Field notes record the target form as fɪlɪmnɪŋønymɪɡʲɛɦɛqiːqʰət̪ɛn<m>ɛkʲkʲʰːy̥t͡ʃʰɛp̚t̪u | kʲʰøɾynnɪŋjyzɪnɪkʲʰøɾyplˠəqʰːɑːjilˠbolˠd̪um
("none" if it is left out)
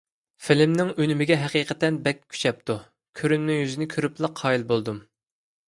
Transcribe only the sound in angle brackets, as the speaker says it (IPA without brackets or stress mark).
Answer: b